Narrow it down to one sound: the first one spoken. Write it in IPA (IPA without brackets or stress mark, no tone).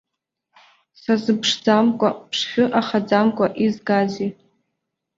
s